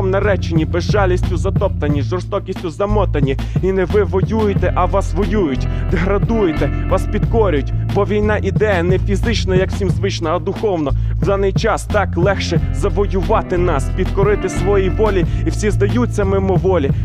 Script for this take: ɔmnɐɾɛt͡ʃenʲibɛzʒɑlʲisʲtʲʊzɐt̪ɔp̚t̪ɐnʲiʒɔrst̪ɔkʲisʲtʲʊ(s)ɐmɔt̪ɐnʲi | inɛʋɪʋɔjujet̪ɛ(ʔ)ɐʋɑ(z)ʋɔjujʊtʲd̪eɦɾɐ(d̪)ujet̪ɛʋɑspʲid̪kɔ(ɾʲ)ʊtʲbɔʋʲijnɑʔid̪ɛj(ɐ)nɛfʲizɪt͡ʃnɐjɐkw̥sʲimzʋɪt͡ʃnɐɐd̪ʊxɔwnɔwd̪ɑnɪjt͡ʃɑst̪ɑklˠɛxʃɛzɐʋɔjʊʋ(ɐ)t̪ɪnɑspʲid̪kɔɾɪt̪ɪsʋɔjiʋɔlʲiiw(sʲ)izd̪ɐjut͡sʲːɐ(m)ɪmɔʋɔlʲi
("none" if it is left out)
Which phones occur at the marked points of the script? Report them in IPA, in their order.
z, ʔ, s, d̪, ɾʲ, ɐ, ɑ, sʲ, m

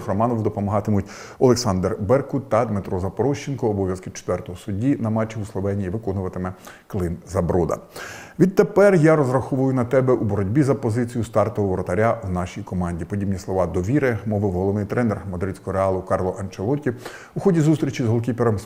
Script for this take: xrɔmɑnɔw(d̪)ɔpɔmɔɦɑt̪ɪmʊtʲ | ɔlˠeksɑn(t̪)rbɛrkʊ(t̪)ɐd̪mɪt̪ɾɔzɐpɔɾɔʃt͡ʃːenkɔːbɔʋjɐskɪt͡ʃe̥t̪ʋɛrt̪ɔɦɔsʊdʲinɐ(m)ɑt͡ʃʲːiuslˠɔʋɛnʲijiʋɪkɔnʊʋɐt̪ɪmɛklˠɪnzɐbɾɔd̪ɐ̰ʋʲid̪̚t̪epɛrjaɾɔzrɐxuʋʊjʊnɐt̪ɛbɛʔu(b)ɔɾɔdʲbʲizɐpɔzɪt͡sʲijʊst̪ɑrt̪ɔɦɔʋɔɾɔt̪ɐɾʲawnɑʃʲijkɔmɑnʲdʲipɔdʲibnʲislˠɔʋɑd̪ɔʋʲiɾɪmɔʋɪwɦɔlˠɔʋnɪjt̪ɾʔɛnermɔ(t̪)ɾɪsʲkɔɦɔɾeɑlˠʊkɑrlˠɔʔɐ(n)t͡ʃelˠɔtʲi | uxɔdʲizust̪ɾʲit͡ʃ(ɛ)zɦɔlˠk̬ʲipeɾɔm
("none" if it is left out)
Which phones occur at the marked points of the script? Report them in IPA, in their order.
d̪, d̪, t̪, m, b, d̪, n, i

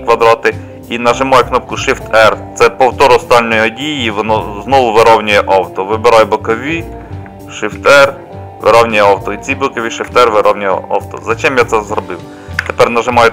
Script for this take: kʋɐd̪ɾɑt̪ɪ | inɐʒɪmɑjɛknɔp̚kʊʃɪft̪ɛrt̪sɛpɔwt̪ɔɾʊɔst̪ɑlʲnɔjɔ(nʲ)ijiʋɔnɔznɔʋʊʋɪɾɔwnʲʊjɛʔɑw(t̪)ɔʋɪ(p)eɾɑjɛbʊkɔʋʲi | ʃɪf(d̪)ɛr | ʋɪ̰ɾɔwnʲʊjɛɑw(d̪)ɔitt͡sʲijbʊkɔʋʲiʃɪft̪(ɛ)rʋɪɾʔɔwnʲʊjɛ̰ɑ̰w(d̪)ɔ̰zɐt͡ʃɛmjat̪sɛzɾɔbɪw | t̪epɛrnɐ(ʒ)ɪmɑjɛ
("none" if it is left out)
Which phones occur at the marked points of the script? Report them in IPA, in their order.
dʲ, t̪, b, t̪, t̪, ɛ, t̪, ʒ

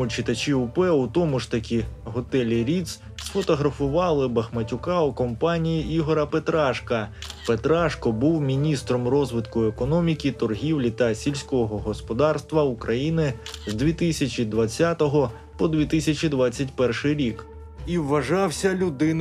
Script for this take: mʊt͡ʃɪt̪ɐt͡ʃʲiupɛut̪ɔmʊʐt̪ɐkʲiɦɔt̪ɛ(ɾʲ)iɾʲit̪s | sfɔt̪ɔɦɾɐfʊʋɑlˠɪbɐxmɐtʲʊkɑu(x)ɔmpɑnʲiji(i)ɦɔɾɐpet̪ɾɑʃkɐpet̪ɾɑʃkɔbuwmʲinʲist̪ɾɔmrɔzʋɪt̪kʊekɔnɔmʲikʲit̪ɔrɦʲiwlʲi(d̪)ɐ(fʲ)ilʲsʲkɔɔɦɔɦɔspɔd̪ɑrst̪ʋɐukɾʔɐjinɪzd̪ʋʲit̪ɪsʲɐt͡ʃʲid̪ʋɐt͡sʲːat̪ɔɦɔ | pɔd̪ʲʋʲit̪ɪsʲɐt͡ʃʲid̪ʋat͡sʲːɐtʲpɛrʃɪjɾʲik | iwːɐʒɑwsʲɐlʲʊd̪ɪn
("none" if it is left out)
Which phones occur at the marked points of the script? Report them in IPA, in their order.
lʲ, k, i, t̪, sʲ

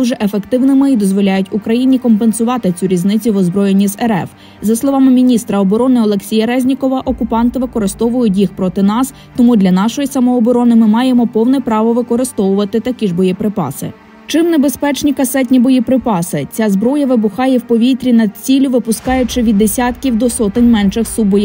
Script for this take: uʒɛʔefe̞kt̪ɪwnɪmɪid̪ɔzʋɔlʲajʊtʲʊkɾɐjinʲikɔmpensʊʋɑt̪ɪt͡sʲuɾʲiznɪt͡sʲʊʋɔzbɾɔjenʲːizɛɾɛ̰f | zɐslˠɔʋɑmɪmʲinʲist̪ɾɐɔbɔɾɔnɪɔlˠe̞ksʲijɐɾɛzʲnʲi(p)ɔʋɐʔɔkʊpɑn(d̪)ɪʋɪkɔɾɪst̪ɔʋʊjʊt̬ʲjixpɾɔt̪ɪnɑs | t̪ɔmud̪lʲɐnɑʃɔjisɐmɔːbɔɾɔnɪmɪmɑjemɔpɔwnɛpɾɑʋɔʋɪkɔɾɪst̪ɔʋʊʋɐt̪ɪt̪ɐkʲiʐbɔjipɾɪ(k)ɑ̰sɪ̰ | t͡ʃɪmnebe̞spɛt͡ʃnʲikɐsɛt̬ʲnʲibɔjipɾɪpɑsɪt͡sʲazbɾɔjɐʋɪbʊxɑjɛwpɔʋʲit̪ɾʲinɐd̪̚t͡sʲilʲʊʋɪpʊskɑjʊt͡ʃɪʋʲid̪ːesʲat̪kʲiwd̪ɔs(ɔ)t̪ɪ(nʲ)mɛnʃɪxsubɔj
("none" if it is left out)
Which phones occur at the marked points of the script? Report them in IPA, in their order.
k, t̪, p, ɔ, nʲ

